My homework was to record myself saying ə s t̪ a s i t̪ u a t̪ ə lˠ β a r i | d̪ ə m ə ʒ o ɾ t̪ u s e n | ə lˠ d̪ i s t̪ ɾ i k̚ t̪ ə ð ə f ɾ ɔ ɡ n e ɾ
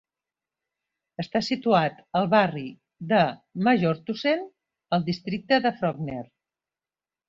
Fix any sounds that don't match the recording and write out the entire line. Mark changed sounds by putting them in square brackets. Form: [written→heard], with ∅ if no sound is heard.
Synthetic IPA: ə s t̪ a s i t̪ u a t̪ ə lˠ β a r i | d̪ ə m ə ʒ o ɾ t̪ u s e n | ə lˠ d̪ i s t̪ ɾ i k̚ t̪ ə ð ə f ɾ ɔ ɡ n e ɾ